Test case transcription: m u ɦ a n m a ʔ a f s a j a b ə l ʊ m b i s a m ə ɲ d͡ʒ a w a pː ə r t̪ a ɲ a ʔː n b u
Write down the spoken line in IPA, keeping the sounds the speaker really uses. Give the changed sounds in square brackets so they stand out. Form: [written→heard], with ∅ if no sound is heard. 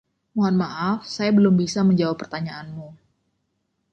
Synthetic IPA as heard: m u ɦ a n m a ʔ a f s a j a b ə l ʊ m b i s a m ə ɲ d͡ʒ a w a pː ə r t̪ a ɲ a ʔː n [b→m] u